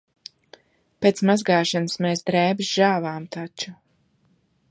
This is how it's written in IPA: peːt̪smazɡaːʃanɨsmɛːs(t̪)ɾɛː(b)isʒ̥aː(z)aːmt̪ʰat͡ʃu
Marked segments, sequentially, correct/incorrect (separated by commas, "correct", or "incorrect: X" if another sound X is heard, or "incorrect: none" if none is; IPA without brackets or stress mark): incorrect: d̪, correct, incorrect: v